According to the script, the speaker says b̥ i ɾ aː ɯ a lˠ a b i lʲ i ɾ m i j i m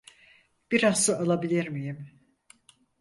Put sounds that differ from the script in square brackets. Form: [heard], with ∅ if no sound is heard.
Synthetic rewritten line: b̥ i ɾ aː ɯ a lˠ a b i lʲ i ɾ m i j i m

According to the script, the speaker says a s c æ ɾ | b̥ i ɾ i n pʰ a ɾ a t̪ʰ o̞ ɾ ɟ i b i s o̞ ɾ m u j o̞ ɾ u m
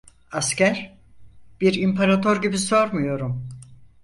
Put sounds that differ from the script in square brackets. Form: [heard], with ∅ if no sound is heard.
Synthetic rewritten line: a s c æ ɾ | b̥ i ɾ i [m] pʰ a ɾ a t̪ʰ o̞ ɾ ɟ i b i s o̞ ɾ m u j o̞ ɾ u m

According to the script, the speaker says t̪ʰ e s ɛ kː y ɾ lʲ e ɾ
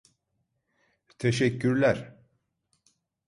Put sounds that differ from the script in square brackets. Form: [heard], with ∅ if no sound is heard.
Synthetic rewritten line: t̪ʰ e [ʃ] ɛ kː y ɾ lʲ [æ] ɾ

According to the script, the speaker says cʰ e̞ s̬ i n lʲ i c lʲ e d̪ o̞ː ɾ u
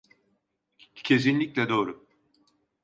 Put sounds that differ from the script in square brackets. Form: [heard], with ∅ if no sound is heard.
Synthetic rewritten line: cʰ e̞ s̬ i n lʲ i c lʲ [ɛ] d̪ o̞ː ɾ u

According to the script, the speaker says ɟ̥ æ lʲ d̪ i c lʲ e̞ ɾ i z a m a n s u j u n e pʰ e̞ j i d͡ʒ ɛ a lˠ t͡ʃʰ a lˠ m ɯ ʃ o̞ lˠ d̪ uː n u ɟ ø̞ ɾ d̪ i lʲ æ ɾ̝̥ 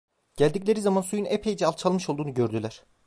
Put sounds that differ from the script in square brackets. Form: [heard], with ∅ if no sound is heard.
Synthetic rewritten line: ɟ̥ æ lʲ d̪ i c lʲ e̞ ɾ i z a m a n s u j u n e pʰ e̞ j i d͡ʒ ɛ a lˠ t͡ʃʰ a lˠ m ɯ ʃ o̞ lˠ d̪ uː n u ɟ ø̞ ɾ d̪ [y] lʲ æ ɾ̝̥

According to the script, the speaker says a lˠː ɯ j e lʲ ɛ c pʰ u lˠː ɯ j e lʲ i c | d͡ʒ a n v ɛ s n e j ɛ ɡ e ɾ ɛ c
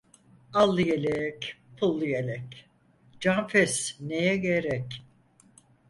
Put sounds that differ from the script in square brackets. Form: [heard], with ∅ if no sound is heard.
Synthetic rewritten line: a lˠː ɯ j e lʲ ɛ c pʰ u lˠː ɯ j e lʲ [ɛ] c | d͡ʒ a n [f] ɛ s n e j ɛ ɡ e ɾ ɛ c

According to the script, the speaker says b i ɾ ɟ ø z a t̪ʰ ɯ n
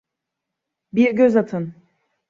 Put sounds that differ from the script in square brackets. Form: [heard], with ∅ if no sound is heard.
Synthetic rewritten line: b i ɾ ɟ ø z a t̪ʰ ɯ n

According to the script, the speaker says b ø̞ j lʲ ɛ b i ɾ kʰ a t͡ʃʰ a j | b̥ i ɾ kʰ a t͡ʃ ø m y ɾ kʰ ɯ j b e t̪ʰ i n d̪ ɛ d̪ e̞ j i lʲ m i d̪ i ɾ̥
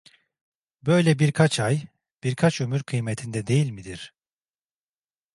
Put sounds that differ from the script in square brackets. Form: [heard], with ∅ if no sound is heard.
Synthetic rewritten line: b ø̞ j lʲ ɛ b i ɾ kʰ a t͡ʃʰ a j | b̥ i ɾ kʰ a t͡ʃ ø m y ɾ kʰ ɯ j [m] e t̪ʰ i n d̪ ɛ d̪ e̞ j i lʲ m i d̪ i ɾ̥

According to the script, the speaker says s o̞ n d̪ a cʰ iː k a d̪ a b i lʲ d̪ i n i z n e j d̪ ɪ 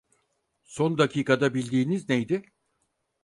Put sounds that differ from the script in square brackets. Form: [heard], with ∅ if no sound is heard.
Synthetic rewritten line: s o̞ n d̪ a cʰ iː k a d̪ a b i lʲ d̪ [iː] n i z n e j d̪ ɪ

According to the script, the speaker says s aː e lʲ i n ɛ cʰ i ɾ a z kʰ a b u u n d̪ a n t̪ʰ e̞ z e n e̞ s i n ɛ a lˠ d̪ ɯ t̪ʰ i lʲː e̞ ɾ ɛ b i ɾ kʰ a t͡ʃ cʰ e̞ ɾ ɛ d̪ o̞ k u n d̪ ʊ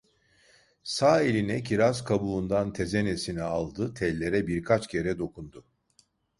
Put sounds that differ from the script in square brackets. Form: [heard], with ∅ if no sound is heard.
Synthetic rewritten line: s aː e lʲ i n ɛ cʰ i ɾ a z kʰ a b u u n d̪ a n t̪ʰ e̞ z e n e̞ s i n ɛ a lˠ d̪ ɯ t̪ʰ [ɛ] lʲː e̞ ɾ ɛ b i ɾ kʰ a t͡ʃ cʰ e̞ ɾ ɛ d̪ o̞ k u n d̪ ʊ

